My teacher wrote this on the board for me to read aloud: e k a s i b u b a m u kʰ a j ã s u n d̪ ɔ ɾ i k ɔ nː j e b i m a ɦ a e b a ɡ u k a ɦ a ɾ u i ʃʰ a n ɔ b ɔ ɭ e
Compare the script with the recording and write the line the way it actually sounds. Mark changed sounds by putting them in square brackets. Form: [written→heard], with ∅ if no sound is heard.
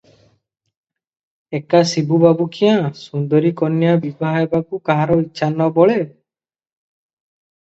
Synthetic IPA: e k a s i b u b a [m→b] u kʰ [a→i] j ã s u n d̪ ɔ ɾ i k ɔ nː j [e→a] b i [m→b] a ɦ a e b a [ɡ→k] u k a ɦ a ɾ [u→ɔ] i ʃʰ a n ɔ b ɔ ɭ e